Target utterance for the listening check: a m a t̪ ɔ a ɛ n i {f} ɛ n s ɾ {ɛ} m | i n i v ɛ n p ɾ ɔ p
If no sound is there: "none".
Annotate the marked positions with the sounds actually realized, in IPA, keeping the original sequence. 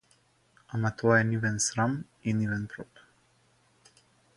v, a

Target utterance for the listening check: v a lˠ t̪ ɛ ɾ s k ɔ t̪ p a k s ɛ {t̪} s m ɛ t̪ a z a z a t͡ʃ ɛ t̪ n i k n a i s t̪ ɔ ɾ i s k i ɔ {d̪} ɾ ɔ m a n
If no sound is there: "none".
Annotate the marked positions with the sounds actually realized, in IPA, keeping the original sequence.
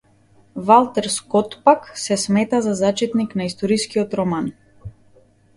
none, t̪

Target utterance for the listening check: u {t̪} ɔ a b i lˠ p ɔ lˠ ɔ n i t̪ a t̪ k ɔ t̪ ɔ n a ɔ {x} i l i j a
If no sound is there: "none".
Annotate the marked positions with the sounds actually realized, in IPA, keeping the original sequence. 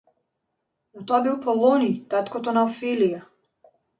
t̪, f

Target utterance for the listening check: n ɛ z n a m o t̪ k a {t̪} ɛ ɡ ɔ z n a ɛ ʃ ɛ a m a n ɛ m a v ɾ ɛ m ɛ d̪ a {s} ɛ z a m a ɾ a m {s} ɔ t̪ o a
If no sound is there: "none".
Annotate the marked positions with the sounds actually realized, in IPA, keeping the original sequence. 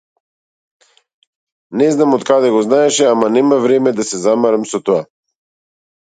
d̪, s, s

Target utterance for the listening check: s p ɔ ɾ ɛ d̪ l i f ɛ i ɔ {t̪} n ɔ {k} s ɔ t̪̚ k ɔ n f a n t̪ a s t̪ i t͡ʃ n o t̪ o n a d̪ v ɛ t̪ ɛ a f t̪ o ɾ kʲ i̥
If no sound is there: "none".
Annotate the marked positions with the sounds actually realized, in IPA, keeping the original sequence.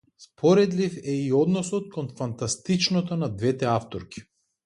d̪, none

